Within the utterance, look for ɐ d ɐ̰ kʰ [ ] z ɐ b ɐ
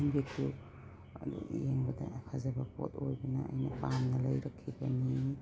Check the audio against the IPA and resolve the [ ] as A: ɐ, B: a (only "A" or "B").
B